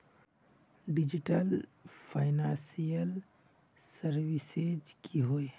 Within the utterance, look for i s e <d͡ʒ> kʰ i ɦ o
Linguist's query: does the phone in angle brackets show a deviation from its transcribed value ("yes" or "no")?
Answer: no